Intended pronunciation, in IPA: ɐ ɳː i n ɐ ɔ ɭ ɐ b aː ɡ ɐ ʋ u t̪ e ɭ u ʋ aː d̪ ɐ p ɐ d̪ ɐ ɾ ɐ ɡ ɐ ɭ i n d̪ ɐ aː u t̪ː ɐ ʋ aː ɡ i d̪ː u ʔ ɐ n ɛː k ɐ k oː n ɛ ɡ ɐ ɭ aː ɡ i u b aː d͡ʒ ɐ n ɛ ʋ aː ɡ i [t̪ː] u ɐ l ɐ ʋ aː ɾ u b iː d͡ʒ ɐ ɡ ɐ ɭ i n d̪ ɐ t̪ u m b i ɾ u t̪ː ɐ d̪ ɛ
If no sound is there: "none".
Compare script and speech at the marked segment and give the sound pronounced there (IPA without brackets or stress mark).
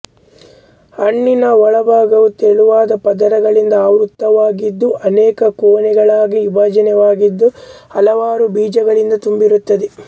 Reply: d̪ː